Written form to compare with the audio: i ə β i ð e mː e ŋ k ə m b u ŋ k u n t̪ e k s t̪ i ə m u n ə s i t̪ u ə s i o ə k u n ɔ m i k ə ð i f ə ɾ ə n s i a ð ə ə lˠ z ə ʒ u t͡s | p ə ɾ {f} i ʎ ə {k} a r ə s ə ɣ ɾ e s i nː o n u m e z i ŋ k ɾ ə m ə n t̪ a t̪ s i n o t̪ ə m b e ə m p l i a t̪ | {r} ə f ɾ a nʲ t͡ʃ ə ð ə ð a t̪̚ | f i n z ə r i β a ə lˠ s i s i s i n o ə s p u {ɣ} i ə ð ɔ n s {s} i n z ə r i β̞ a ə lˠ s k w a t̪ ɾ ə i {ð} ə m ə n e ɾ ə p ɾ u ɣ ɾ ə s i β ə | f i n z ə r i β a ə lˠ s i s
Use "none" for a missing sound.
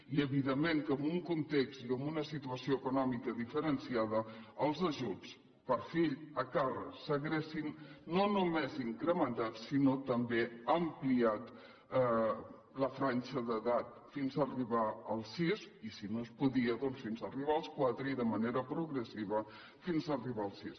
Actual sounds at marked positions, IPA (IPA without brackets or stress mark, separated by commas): f, k, l, ð, f, ð